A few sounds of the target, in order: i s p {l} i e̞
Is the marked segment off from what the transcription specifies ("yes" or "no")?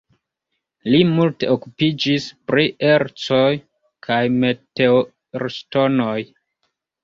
yes